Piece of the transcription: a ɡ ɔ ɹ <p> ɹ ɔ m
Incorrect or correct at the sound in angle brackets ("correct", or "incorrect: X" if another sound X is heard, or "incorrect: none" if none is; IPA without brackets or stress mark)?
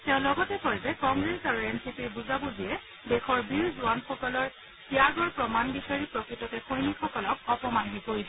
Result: correct